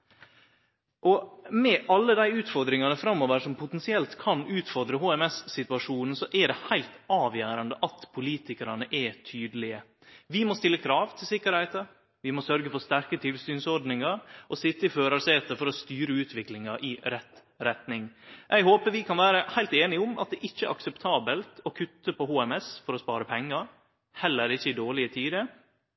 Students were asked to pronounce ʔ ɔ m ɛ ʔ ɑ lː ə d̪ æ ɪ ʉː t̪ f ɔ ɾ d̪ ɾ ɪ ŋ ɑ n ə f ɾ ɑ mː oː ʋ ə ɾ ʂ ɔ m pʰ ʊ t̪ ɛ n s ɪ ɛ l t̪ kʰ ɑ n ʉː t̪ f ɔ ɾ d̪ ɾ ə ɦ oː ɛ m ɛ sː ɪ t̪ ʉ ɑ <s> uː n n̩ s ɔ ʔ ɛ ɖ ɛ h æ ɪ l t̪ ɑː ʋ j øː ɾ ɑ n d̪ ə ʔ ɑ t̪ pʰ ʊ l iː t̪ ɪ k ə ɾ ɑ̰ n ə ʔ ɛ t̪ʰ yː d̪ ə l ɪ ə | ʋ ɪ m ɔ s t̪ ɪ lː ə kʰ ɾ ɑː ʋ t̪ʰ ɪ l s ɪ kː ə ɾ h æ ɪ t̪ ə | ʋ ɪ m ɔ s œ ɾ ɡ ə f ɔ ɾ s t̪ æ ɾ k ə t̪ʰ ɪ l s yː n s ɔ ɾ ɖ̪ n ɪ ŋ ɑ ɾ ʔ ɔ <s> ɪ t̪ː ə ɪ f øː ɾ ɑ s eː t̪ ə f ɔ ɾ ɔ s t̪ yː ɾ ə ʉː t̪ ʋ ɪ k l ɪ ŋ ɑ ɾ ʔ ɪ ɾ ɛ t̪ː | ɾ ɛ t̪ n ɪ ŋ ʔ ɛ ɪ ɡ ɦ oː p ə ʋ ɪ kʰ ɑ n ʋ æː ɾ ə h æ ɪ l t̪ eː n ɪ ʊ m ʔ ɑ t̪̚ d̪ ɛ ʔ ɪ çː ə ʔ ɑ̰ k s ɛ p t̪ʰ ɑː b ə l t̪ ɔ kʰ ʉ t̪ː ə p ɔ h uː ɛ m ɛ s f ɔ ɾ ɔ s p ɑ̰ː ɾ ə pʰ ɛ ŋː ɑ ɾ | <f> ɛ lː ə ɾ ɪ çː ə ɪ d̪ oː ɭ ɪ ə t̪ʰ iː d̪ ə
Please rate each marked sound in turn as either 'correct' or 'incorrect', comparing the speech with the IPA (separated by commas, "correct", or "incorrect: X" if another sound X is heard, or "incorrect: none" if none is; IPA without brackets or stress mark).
incorrect: ʂ, correct, incorrect: h